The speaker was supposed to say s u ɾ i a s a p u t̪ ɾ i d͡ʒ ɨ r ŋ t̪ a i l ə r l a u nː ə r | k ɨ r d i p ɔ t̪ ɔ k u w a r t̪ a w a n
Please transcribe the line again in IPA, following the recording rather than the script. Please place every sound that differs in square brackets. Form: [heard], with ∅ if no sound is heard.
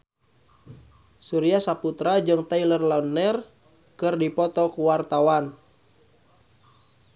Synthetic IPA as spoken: s u ɾ i a s a p u t̪ ɾ [a] d͡ʒ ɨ [∅] ŋ t̪ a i l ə r l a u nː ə r | k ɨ r d i p ɔ t̪ ɔ k u w a r t̪ a w a n

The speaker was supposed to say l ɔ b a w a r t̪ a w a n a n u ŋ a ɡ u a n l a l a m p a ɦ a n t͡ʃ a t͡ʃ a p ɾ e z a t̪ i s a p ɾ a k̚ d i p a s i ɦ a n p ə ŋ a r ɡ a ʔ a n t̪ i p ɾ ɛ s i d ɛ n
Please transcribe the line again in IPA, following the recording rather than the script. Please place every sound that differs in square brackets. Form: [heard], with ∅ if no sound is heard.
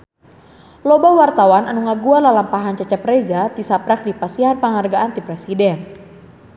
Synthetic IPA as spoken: l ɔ b a w a r t̪ a w a n a n u ŋ a ɡ u a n l a l a m p a ɦ a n t͡ʃ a t͡ʃ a p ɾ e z a t̪ i s a p ɾ a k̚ d i p a s i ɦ a n p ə ŋ a r ɡ a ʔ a n t̪ i p ɾ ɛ s i d ɛ n

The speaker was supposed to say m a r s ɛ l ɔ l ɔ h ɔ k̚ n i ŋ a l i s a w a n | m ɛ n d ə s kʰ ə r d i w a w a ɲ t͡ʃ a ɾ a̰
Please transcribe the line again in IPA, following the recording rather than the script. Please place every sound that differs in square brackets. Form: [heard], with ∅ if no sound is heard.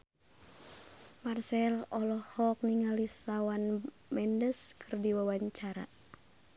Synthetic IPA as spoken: m a r s ɛ l ɔ l ɔ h ɔ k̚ n i ŋ a l i s a w a n | m ɛ n d ə s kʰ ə r d i w a w a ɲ t͡ʃ a ɾ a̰

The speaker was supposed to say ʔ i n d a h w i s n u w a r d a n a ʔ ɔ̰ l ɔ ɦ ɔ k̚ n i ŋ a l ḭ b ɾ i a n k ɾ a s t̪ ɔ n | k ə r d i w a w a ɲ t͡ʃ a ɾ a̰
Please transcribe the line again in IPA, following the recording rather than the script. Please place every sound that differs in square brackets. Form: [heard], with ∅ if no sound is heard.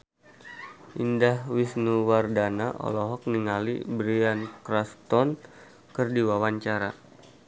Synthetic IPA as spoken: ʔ i n d a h w i s n u w a r d a n a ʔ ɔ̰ l ɔ ɦ ɔ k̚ n i ŋ a l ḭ b ɾ i a n k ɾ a s t̪ ɔ n | k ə r d i w a w a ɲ t͡ʃ a ɾ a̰

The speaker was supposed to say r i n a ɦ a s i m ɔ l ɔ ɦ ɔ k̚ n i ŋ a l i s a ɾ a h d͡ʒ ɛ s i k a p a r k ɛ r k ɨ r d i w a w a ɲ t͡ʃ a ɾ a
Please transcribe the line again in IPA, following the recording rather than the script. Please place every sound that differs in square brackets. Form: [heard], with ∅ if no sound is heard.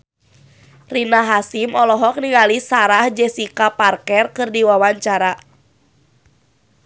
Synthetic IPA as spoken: r i n a ɦ a s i m ɔ l ɔ ɦ ɔ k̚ n i ŋ a l i s a ɾ a h d͡ʒ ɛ s i k a p a r k ɛ r k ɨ r d i w a w a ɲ t͡ʃ a ɾ a

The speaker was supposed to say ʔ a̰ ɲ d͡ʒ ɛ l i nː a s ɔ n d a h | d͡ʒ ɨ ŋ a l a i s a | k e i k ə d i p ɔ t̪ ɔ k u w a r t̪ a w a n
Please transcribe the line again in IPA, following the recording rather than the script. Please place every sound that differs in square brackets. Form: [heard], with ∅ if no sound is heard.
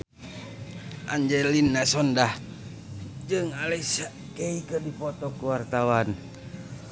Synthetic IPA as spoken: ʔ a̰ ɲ d͡ʒ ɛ l i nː a s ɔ n d a h | d͡ʒ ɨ ŋ a l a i s a | k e i k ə d i p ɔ t̪ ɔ k u w a r t̪ a w a n

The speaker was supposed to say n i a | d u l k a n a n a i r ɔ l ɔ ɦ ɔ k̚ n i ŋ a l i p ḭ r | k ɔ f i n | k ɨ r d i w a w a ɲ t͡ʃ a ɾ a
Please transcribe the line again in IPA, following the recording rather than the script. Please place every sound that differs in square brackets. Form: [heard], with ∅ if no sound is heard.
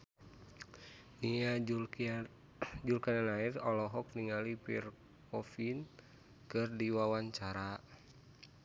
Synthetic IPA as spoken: n i a | [d͡ʒ] u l k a n a n a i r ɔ l ɔ ɦ ɔ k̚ n i ŋ a l i p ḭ r | k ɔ f i n | k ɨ r d i w a w a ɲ t͡ʃ a ɾ a

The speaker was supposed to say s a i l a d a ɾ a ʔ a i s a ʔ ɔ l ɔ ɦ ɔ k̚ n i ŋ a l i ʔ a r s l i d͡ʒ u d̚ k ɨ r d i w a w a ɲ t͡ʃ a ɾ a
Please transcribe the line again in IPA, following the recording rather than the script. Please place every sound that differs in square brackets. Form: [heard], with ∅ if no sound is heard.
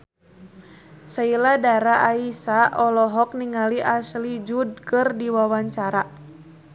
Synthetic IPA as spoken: s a i l a d a ɾ a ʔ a i s a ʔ ɔ l ɔ ɦ ɔ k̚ n i ŋ a l i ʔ a [∅] s l i d͡ʒ u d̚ k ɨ r d i w a w a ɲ t͡ʃ a ɾ a

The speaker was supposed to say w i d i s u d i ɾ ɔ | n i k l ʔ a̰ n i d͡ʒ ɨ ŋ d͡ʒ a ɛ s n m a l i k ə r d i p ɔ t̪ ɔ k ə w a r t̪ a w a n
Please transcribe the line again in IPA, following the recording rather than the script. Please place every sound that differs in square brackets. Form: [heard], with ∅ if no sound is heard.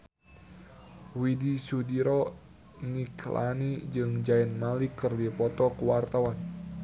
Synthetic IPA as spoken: w i d i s u d i ɾ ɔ | n i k l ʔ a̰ n i d͡ʒ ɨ ŋ d͡ʒ a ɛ [∅] n m a l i k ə r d i p ɔ t̪ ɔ k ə w a r t̪ a w a n

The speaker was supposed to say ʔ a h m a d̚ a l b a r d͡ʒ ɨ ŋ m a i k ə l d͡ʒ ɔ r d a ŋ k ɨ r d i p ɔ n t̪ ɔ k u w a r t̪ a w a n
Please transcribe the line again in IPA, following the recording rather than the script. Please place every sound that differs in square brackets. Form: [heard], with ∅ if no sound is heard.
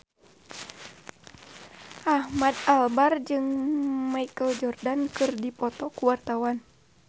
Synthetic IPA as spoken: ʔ a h m a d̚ a l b a r d͡ʒ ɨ ŋ m a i k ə l d͡ʒ ɔ r d a [n] k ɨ r d i p ɔ [∅] t̪ ɔ k u w a r t̪ a w a n

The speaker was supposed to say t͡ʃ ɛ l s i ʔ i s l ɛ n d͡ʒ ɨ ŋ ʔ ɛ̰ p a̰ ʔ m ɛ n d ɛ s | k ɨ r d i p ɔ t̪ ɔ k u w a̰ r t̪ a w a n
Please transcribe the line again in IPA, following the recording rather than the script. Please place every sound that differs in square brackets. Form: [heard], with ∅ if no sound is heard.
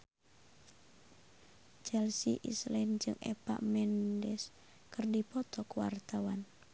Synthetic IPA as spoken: t͡ʃ ɛ l s i ʔ i s l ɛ n d͡ʒ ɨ ŋ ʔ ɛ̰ p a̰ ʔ m ɛ n d ɛ s | k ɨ r d i p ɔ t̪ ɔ k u w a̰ r t̪ a w a n

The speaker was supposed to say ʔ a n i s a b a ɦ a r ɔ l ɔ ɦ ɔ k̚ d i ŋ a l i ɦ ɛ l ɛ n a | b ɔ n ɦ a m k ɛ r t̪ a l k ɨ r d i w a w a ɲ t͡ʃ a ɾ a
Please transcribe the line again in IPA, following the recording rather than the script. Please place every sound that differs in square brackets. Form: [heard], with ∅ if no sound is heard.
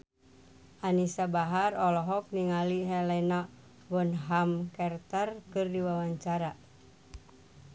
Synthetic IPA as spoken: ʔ a n i s a b a ɦ a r ɔ l ɔ ɦ ɔ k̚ [n] i ŋ a l i ɦ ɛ l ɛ n a | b ɔ n ɦ a m k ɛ r t̪ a [r] k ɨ r d i w a w a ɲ t͡ʃ a ɾ a

